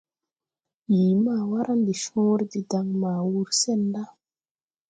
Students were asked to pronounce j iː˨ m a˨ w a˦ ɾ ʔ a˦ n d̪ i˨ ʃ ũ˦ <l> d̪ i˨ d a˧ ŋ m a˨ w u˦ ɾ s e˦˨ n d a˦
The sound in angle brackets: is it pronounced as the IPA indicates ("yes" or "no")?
no